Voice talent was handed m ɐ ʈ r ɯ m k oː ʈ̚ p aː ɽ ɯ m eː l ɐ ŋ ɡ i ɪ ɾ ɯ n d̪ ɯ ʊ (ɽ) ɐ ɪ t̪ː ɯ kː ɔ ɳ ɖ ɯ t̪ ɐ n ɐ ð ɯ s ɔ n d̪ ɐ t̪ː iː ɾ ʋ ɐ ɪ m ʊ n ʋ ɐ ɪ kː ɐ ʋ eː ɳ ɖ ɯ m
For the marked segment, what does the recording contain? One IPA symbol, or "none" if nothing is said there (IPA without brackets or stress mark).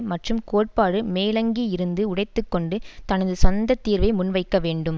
ɽ